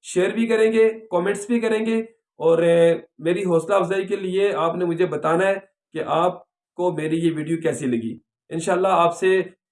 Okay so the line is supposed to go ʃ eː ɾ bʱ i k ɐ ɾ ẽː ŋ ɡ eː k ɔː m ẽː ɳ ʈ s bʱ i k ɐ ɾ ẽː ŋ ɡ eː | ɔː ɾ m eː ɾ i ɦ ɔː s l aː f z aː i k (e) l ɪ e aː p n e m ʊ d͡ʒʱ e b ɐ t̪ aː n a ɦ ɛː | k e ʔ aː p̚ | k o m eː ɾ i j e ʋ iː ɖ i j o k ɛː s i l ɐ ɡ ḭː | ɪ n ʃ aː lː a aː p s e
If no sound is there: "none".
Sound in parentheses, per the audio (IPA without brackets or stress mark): e